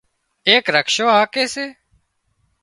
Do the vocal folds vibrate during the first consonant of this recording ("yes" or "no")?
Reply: no